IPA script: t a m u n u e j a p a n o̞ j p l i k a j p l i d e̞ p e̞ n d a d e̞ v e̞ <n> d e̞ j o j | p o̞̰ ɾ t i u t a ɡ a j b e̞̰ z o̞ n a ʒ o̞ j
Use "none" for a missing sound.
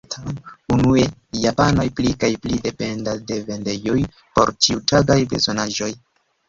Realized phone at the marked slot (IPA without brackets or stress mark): n